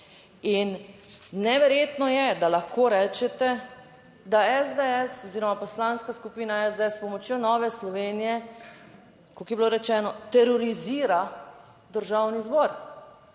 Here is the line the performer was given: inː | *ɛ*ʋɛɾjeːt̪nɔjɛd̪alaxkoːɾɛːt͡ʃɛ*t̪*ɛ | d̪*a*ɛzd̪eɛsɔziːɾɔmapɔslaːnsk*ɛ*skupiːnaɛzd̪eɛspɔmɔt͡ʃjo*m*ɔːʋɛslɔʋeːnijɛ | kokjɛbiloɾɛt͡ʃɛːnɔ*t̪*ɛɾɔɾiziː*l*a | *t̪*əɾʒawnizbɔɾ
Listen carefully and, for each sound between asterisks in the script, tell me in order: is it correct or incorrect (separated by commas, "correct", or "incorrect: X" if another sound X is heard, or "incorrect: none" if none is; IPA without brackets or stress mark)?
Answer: correct, correct, correct, incorrect: a, incorrect: n, correct, incorrect: ɾ, incorrect: d̪